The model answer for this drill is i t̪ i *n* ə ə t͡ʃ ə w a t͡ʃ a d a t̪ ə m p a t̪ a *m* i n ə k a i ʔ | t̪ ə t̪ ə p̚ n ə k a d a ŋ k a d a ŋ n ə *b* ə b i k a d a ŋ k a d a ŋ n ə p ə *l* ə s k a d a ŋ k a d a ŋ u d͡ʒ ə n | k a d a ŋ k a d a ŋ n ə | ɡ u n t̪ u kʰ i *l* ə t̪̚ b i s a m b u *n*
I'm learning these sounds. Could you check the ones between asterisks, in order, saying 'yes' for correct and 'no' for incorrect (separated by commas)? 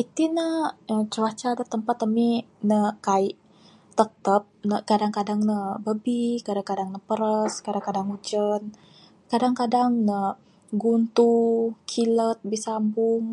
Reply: yes, yes, yes, no, yes, no